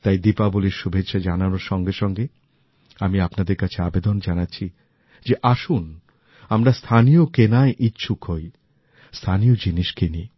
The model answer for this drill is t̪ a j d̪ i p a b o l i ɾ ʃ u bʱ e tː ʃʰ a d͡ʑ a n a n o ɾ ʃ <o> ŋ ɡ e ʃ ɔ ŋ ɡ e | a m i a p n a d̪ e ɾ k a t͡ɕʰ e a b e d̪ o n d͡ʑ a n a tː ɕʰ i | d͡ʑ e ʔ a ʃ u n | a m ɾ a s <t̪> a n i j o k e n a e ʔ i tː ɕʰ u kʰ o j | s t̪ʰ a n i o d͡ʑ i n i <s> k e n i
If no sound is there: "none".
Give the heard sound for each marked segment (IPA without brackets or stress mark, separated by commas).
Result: ɔ, t̪ʰ, ʃ